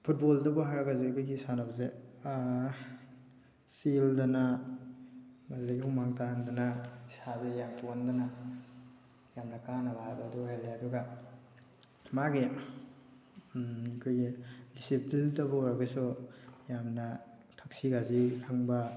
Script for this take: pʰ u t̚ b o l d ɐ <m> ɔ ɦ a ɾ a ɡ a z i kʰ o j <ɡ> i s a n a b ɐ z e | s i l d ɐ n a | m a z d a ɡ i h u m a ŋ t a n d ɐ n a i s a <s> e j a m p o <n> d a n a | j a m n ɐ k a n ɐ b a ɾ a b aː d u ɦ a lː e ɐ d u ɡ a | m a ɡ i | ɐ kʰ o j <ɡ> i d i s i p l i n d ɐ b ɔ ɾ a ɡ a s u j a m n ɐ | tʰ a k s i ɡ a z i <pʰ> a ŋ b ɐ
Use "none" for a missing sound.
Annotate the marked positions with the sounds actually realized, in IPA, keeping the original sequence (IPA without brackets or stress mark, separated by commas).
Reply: b, ɡ, z, n, ɡ, kʰ